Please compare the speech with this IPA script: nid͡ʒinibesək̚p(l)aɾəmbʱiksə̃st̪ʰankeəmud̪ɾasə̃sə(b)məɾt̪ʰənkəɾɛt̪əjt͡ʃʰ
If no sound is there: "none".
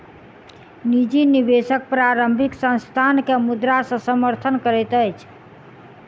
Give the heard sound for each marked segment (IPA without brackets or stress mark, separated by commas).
ɾ, none